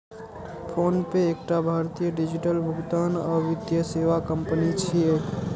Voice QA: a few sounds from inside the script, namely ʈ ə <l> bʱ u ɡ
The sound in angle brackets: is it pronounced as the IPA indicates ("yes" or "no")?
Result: yes